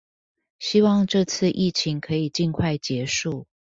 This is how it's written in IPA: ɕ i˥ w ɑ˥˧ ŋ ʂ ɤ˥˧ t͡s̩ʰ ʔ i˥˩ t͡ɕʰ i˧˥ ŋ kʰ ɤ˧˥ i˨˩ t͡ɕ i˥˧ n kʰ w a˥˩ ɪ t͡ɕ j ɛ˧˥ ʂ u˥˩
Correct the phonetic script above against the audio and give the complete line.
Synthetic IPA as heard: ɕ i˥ w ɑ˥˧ ŋ ʈ͡ʂ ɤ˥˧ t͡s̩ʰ ʔ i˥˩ t͡ɕʰ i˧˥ ŋ kʰ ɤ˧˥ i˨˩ t͡ɕ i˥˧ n kʰ w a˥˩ ɪ t͡ɕ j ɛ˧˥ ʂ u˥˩